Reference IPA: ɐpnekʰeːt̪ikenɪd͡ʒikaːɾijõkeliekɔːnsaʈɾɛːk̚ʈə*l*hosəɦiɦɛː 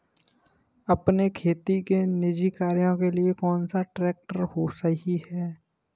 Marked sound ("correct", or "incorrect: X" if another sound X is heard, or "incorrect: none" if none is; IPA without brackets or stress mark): incorrect: ɾ